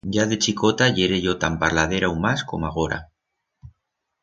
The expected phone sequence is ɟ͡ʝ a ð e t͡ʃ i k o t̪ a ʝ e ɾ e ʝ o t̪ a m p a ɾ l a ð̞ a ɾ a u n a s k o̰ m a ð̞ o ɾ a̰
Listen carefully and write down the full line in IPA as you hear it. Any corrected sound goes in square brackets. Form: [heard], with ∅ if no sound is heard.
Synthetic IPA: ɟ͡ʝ a ð e t͡ʃ i k o t̪ a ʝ e ɾ e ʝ o t̪ a m p a ɾ l a ð̞ [e] ɾ a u [m] a s k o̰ m a [ɣ̞] o ɾ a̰